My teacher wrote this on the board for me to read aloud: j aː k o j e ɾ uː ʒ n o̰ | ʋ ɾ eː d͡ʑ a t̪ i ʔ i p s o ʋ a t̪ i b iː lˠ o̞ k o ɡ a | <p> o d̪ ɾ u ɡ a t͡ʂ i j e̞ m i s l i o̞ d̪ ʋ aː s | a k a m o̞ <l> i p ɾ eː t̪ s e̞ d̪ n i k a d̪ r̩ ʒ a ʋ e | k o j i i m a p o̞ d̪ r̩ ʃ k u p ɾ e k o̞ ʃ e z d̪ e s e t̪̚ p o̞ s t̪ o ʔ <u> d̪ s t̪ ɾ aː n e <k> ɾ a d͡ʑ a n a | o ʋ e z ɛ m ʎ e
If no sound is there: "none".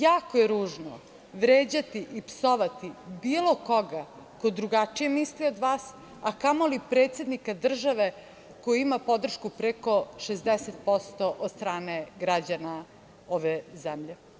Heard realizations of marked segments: k, l, o, ɡ

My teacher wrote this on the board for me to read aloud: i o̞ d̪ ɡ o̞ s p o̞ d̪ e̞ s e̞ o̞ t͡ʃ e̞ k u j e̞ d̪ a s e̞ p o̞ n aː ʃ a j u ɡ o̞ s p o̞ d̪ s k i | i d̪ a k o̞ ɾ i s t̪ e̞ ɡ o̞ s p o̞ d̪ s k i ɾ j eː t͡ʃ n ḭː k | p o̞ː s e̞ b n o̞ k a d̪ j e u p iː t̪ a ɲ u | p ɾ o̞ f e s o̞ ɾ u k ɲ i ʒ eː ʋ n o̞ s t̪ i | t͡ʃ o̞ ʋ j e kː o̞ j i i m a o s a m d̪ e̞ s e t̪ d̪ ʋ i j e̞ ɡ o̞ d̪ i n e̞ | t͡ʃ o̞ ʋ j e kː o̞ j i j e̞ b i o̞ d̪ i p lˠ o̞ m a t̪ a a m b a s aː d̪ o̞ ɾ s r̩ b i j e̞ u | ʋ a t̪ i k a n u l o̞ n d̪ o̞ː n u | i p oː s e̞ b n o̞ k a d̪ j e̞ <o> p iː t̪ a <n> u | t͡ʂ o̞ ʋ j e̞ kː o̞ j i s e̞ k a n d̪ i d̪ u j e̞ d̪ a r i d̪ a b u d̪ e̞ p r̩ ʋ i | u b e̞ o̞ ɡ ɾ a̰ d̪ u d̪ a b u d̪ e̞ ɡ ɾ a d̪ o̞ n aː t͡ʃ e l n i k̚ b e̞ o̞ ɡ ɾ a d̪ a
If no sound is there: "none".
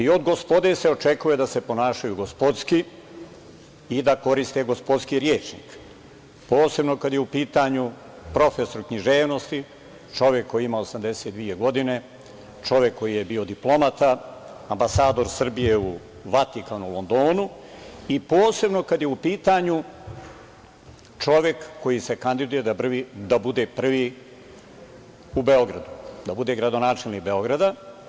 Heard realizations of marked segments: u, ɲ

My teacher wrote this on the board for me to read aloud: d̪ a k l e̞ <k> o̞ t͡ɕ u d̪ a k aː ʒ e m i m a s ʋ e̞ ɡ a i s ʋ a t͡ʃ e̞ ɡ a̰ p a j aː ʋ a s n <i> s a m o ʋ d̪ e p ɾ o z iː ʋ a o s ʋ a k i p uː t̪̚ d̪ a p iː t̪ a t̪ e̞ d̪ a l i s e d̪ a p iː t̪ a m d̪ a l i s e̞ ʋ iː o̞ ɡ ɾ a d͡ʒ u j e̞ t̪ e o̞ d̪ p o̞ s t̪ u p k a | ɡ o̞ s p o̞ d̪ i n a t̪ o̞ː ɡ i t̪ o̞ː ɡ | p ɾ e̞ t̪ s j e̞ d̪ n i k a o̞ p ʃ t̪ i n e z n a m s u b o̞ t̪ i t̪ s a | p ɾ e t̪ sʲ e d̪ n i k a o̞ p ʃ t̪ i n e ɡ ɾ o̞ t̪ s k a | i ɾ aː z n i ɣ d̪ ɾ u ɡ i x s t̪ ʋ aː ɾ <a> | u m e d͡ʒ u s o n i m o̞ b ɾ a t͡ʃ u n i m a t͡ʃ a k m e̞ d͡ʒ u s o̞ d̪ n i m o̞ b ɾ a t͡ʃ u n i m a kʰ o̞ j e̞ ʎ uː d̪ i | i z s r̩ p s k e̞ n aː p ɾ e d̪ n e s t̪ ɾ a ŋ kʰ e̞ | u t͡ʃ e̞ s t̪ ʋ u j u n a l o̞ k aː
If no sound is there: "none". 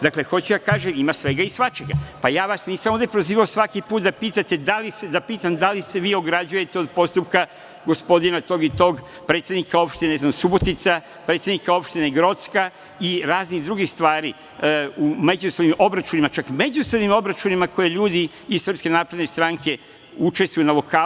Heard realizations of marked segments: x, iː, i

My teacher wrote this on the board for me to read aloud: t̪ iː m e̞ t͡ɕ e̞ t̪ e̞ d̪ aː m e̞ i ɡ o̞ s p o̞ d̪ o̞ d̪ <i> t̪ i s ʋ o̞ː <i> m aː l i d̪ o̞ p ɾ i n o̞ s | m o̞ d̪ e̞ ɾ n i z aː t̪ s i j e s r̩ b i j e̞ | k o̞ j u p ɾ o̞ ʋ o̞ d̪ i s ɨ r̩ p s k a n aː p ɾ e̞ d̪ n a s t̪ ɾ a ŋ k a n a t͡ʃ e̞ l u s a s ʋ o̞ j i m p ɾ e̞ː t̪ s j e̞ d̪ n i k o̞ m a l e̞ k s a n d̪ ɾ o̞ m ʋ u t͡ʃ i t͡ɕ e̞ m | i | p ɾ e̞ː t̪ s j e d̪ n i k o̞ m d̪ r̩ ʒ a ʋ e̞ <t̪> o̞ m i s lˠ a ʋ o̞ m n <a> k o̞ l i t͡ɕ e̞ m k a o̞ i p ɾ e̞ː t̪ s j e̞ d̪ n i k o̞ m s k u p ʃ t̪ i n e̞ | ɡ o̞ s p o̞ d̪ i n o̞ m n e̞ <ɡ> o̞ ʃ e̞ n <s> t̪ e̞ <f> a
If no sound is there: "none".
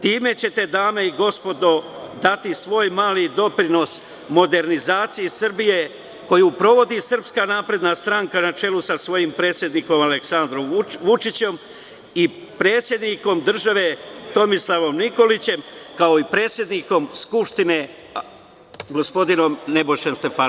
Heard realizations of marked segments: a, j, t̪, i, b, s, f

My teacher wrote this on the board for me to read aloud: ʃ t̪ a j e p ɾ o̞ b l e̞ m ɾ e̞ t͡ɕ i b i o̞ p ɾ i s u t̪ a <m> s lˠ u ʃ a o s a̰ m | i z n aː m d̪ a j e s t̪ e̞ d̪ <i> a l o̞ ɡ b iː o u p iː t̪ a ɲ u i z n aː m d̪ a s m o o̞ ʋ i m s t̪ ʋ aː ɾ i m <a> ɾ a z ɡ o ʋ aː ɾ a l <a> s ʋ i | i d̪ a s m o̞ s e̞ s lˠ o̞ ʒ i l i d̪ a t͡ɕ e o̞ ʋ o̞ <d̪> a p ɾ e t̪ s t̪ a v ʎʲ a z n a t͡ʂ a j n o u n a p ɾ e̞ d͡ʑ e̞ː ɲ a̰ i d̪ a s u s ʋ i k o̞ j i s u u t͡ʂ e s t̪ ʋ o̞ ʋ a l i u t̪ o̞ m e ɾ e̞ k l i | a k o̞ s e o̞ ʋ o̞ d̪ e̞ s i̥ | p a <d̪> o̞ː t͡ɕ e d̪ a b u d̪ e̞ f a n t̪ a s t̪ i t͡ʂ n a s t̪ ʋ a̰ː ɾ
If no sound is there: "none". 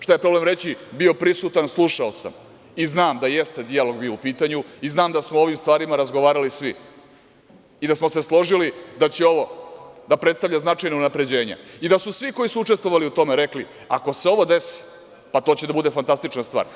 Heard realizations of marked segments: n, i, a, i, d̪, t̪

